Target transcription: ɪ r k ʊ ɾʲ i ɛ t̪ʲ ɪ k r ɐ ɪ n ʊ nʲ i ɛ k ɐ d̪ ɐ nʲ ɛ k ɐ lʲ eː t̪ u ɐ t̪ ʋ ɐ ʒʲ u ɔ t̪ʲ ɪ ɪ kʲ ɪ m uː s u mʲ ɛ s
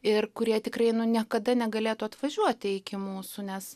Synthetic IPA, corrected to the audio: ɪ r k ʊ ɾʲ i ɛ t̪ʲ ɪ k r ɐ ɪ n ʊ nʲ i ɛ k ɐ d̪ ɐ nʲ ɛ ɡ ɐ lʲ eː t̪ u ɐ t̪ ʋ ɐ ʒʲ u ɔ t̪ʲ ɪ ɪ kʲ ɪ m uː s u nʲ ɛ s